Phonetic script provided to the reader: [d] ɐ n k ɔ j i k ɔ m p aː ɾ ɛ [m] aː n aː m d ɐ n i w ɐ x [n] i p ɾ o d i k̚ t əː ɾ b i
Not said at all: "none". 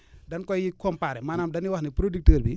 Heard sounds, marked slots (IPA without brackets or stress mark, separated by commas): d, m, n